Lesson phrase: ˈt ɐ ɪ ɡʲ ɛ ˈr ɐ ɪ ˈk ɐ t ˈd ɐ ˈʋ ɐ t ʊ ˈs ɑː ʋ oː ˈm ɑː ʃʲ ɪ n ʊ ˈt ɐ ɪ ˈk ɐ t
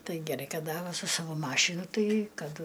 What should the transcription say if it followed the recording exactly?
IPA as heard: ˈt ɐ ɪ ɡʲ ɛ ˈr ɐ ɪ ˈk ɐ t ˈd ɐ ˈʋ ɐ s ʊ ˈs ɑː ʋ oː ˈm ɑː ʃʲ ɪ n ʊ ˈt ɐ ɪ ˈk ɐ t